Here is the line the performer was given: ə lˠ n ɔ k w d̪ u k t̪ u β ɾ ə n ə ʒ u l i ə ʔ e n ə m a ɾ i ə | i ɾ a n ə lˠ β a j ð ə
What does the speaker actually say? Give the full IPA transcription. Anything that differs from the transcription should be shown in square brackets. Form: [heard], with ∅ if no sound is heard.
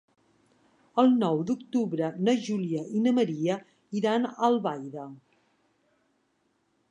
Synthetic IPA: ə lˠ n ɔ [∅] w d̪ u k t̪ u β ɾ ə n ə ʒ u l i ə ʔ [i] n ə m [ə] ɾ i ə | i ɾ a n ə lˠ β a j ð ə